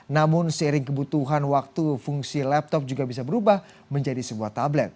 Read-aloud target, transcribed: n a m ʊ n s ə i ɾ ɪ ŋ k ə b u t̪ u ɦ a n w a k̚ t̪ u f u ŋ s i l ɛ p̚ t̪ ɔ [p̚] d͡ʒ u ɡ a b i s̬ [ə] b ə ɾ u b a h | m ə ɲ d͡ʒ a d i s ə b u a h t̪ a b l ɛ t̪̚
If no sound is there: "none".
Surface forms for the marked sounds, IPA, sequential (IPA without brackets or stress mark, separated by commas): p̚, a